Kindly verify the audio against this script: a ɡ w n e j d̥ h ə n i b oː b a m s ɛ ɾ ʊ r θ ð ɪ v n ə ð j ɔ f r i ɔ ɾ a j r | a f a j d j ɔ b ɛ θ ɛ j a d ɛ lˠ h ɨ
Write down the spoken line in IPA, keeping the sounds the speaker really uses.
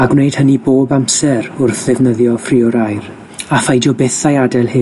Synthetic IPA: a ɡ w n e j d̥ h ə n i b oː b a m s ɛ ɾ ʊ r θ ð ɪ v n ə ð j ɔ f r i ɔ ɾ a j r | a f a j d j ɔ b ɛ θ a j a d ɛ lˠ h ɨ